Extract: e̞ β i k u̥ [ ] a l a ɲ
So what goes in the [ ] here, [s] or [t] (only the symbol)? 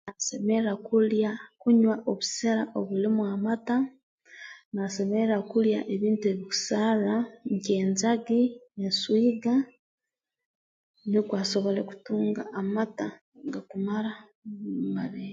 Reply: s